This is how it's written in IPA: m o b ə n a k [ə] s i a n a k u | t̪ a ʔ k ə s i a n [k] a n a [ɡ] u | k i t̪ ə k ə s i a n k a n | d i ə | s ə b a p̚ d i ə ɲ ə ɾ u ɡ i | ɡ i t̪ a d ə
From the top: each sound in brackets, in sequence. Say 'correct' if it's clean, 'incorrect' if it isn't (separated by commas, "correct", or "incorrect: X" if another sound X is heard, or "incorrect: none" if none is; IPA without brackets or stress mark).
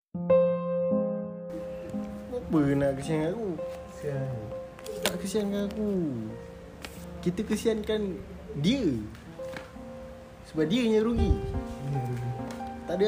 correct, correct, incorrect: k